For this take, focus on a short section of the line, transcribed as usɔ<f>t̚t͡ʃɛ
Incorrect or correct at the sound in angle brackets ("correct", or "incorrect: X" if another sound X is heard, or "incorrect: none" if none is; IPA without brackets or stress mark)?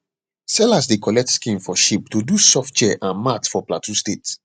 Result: correct